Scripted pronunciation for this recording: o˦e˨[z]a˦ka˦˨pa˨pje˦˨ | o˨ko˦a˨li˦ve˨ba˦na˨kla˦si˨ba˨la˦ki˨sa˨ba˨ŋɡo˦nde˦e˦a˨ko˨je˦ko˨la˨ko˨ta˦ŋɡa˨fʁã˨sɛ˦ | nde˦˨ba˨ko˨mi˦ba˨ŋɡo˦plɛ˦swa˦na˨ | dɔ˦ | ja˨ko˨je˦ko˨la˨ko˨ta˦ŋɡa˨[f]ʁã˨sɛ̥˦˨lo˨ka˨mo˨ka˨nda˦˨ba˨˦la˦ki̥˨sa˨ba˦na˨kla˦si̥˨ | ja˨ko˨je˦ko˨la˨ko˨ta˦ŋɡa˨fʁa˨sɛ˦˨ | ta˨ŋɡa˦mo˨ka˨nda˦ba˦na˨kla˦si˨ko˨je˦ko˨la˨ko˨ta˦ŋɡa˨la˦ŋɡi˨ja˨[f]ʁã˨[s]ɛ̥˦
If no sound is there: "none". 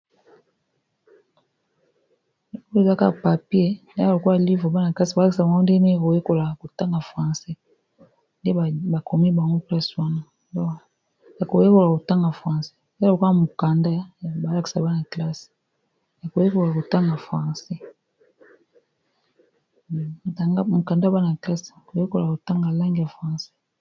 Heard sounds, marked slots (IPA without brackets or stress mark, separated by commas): z, f, f, s